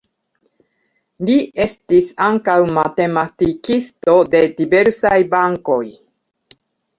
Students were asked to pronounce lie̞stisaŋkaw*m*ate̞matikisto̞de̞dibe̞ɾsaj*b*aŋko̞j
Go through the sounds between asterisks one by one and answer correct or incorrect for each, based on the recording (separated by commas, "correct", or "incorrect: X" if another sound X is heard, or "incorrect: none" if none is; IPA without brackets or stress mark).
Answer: correct, correct